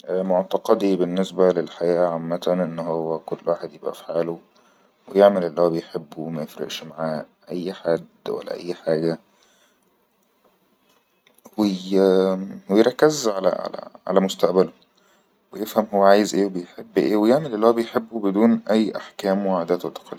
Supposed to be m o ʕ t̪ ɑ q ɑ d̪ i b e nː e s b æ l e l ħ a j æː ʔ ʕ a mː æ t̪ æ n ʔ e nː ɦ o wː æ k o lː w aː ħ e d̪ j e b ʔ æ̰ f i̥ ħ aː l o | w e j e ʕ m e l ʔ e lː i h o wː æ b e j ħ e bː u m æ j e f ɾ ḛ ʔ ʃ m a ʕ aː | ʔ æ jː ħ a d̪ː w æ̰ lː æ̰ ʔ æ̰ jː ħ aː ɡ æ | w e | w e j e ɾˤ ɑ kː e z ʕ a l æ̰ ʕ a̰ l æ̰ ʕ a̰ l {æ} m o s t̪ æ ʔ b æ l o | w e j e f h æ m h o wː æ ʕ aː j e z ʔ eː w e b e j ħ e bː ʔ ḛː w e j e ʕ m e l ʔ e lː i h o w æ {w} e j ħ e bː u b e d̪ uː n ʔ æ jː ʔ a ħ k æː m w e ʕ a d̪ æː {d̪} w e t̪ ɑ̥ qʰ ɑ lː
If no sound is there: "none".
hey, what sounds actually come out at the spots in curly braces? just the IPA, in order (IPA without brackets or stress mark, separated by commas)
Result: æ, b, t̪